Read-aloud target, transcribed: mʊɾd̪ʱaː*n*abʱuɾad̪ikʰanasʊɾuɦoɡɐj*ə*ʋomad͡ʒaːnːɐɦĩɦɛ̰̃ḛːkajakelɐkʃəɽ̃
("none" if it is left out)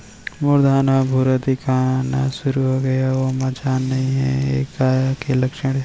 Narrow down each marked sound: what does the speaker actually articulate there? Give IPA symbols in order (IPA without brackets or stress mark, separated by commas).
n, a